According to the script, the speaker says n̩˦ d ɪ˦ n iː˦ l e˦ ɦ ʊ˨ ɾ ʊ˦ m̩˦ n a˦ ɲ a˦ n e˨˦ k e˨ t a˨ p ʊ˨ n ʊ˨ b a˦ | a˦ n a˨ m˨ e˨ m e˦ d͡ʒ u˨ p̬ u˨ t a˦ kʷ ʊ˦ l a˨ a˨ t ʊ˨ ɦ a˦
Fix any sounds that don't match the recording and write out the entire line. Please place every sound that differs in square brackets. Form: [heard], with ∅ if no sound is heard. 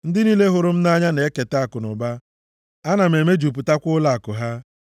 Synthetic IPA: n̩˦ d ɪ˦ n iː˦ l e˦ ɦ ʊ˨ ɾ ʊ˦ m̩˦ n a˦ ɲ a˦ n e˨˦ k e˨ t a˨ [k] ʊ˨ n ʊ˨ b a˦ | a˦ n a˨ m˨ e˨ m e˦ d͡ʒ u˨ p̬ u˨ t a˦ kʷ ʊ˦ l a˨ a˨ [k] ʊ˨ ɦ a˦